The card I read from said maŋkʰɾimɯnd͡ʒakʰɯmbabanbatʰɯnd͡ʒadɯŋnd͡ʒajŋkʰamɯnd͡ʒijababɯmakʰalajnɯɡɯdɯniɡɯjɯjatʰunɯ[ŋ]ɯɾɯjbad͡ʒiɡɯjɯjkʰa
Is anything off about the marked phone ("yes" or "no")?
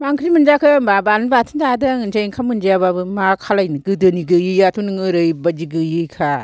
no